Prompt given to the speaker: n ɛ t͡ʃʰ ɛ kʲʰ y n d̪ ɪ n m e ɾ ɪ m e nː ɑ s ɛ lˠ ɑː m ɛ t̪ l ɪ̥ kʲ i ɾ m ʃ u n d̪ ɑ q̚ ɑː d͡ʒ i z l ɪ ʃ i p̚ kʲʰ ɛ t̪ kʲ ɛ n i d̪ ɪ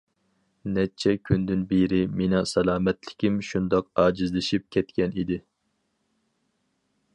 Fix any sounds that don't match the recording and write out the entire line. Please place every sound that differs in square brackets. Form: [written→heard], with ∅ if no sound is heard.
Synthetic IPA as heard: n ɛ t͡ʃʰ ɛ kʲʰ y n d̪ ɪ n [m→b] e ɾ ɪ m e [nː→n] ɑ s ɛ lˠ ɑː m ɛ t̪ l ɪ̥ kʲ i [ɾ→∅] m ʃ u n d̪ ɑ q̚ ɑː d͡ʒ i z l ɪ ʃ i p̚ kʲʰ ɛ t̪ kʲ ɛ n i d̪ ɪ